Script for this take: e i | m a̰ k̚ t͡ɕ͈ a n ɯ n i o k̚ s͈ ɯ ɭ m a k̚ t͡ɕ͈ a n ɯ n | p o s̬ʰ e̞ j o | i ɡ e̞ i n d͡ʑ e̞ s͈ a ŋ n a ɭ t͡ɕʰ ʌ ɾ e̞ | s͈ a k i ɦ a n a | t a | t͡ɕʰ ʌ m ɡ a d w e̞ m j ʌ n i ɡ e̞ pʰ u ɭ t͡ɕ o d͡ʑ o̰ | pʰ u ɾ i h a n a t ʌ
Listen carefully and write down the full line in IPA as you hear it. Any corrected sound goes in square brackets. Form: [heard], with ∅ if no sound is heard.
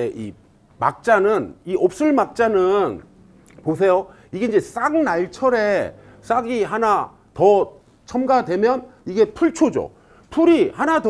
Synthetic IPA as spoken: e i | m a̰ k̚ t͡ɕ͈ a n ɯ n i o [p̚] s͈ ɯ ɭ m a k̚ t͡ɕ͈ a n ɯ n | p o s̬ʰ e̞ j o | i ɡ e̞ i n d͡ʑ e̞ s͈ a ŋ n a ɭ t͡ɕʰ ʌ ɾ e̞ | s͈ a [ɡ] i ɦ a n a | t [ʌ] | t͡ɕʰ ʌ m ɡ a d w e̞ m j ʌ n i ɡ e̞ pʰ u ɭ [t͡ɕʰ] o d͡ʑ o̰ | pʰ u ɾ i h a n a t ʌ